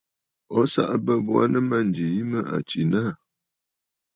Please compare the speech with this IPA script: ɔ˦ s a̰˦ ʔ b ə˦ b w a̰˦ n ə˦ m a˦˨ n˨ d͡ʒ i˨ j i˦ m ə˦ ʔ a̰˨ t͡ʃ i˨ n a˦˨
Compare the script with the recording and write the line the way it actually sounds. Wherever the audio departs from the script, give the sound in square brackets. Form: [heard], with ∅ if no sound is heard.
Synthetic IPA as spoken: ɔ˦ s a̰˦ ʔ b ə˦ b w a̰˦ n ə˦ m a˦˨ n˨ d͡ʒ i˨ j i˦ m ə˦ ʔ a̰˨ t͡ʃ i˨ n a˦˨